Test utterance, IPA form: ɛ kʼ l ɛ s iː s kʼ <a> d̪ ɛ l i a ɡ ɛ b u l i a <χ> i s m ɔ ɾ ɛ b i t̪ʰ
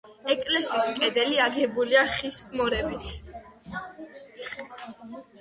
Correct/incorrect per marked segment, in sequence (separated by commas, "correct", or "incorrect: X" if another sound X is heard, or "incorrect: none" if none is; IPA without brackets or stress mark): incorrect: ɛ, correct